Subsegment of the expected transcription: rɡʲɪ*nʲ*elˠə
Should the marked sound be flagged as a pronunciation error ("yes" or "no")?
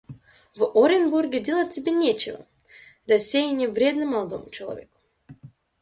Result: yes